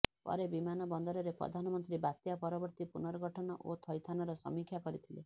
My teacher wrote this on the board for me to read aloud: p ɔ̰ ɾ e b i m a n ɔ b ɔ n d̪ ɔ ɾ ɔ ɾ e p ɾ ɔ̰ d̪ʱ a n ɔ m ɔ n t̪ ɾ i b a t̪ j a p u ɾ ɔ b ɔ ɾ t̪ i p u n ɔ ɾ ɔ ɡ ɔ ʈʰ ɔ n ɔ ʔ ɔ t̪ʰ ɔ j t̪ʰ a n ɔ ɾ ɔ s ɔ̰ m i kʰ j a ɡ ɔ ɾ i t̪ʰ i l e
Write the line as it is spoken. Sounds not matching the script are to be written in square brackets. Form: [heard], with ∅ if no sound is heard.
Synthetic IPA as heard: p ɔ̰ ɾ e b i m a n ɔ b ɔ n d̪ ɔ ɾ ɔ ɾ e p ɾ ɔ̰ d̪ʱ a n ɔ m ɔ n t̪ ɾ i b a t̪ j a p [ɔ] ɾ ɔ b ɔ ɾ t̪ i p u n ɔ ɾ ɔ ɡ ɔ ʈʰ ɔ n ɔ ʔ [o] t̪ʰ ɔ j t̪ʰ a n ɔ ɾ ɔ s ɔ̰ m i kʰ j a [k] ɔ ɾ i t̪ʰ i l e